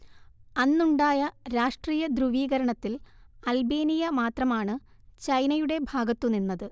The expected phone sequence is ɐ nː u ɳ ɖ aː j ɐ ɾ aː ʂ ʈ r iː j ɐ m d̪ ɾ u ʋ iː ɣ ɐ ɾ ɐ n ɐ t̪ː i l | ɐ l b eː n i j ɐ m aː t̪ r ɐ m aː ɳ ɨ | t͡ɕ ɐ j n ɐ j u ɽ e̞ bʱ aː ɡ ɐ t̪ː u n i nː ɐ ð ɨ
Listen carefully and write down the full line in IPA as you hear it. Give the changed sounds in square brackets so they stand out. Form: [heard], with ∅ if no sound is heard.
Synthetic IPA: ɐ nː u ɳ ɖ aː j ɐ ɾ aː ʂ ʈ r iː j ɐ [∅] d̪ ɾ u ʋ iː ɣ ɐ ɾ ɐ [ɳ] ɐ t̪ː i l | ɐ l b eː n i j ɐ m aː t̪ r ɐ m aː ɳ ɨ | t͡ɕ ɐ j n ɐ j u ɽ e̞ bʱ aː ɡ ɐ t̪ː u n i nː ɐ ð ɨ